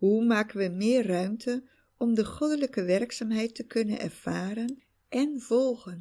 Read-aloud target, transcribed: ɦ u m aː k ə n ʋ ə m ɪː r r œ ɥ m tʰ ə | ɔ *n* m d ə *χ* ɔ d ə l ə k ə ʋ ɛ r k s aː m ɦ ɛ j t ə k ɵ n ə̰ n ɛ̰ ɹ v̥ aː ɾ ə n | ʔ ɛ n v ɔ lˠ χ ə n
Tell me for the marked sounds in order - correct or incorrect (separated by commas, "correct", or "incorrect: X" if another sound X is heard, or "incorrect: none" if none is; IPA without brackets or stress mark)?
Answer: incorrect: none, correct